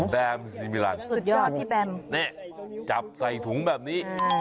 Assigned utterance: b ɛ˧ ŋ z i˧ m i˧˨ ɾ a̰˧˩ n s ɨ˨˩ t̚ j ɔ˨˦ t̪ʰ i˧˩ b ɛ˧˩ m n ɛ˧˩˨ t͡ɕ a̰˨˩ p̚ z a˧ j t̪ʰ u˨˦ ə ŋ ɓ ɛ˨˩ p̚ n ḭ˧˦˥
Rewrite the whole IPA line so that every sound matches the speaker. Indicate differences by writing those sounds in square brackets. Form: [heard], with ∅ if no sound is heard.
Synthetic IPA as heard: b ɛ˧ [m] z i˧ m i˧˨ [l] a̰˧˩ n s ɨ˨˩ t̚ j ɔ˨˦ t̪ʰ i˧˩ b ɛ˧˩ m n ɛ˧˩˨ t͡ɕ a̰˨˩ p̚ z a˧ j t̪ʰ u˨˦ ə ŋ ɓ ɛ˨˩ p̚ n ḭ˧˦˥